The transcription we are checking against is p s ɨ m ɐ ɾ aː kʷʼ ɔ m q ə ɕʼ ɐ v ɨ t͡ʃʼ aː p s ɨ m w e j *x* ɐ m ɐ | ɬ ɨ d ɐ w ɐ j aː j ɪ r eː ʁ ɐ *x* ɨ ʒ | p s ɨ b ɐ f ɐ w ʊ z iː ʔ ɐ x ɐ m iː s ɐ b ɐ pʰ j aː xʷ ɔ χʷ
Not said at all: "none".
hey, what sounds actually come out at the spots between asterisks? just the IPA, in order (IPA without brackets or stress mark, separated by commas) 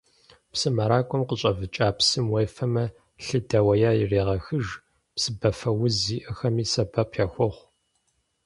f, x